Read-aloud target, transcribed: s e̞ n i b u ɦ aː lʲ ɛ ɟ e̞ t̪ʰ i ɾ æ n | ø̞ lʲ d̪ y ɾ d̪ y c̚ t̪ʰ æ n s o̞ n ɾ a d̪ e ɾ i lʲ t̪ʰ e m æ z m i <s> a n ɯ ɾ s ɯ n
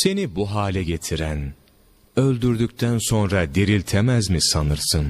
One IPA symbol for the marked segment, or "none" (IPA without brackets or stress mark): s